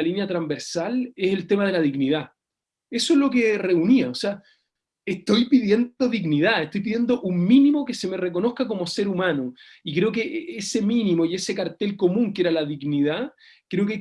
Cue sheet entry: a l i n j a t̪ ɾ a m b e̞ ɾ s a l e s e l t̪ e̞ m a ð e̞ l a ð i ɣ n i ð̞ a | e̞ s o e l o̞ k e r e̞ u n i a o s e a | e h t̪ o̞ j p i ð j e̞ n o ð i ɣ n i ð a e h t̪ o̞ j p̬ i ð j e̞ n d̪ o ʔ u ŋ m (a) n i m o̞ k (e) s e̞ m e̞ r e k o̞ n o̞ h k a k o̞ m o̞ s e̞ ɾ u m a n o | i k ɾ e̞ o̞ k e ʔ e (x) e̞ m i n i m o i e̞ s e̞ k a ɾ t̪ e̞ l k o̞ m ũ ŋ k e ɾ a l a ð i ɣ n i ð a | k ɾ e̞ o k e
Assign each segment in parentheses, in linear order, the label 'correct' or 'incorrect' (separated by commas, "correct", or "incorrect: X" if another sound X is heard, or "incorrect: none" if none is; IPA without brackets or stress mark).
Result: incorrect: i, correct, incorrect: s